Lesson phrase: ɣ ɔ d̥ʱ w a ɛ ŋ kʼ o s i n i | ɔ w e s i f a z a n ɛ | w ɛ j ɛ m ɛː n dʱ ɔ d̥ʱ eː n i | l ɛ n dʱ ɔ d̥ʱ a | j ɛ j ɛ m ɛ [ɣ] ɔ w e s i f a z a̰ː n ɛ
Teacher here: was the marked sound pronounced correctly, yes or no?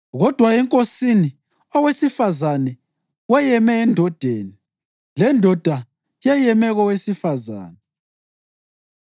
yes